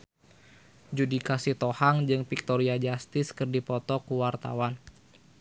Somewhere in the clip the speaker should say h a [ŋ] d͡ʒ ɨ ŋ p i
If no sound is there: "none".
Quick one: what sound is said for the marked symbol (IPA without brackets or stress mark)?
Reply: ŋ